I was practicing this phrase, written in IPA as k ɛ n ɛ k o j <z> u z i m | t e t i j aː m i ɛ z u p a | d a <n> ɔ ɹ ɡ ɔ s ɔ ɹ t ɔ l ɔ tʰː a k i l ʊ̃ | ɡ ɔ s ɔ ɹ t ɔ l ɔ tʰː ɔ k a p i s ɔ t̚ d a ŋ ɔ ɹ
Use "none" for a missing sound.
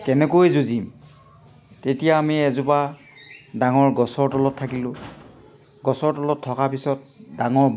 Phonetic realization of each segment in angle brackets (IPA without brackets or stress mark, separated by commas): z, ŋ